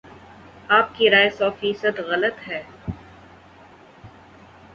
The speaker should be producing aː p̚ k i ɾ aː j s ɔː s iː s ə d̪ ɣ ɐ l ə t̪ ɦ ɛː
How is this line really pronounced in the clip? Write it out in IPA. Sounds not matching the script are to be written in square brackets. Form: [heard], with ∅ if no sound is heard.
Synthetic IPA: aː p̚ k i ɾ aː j s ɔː [f] iː s ə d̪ ɣ ɐ l ə t̪ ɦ ɛː